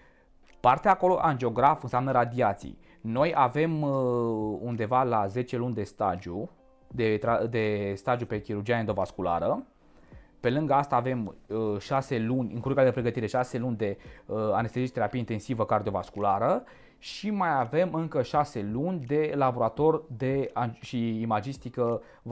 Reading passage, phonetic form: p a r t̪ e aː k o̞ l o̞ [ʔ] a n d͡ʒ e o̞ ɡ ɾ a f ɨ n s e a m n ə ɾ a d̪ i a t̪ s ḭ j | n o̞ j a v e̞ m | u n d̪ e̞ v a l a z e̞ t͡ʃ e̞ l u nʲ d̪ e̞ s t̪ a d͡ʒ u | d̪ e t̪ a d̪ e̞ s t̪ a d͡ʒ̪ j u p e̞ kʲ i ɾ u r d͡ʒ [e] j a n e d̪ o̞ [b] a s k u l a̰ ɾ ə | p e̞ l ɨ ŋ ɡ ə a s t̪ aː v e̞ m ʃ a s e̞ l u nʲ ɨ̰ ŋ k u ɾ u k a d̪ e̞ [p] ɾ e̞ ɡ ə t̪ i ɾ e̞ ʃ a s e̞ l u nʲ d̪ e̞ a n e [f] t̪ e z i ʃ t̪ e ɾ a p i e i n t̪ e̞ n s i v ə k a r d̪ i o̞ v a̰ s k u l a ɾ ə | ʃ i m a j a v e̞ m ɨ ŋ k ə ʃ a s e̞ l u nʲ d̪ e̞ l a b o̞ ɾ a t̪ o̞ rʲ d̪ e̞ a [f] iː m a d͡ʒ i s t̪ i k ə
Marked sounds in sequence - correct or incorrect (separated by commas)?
correct, incorrect, incorrect, correct, incorrect, incorrect